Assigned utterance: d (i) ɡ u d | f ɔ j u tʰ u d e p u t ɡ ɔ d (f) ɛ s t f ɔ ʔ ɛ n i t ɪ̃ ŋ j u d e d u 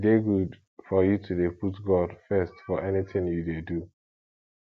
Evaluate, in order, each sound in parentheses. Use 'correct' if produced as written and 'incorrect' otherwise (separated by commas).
incorrect, correct